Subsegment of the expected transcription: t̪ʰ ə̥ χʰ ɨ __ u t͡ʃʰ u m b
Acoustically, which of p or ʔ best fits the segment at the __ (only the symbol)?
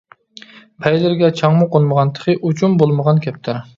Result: ʔ